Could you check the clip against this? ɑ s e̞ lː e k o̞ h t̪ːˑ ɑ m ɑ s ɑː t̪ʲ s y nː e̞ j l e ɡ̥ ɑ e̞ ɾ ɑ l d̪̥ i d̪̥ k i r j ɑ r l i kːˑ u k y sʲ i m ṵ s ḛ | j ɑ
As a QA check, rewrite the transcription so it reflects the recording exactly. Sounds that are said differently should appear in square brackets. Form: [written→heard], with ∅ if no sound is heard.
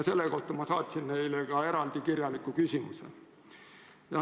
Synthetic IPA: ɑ s e̞ lː e k o̞ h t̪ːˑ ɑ m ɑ s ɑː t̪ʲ s [y→i] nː e̞ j l e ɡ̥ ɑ e̞ ɾ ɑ l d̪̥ i [d̪̥→∅] k i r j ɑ [r→∅] l i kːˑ u k y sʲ i m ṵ s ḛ | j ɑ

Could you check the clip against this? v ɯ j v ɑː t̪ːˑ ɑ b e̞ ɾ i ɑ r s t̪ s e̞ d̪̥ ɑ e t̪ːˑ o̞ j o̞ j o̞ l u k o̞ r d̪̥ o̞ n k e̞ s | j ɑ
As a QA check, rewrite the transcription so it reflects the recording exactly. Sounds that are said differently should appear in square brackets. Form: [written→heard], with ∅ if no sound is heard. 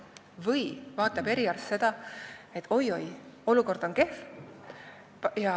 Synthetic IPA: v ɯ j v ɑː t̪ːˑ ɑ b e̞ ɾ i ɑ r s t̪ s e̞ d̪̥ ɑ e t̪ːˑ o̞ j o̞ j o̞ l u k o̞ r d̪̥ o̞ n k e̞ [s→f] | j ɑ

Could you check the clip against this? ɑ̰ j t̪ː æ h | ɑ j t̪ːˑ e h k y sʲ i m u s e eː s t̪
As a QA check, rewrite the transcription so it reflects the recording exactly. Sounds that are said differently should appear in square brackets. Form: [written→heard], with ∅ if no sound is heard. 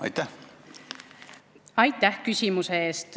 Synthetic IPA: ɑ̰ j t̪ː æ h | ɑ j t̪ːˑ [e→æ] h k y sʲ i m u s e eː s t̪

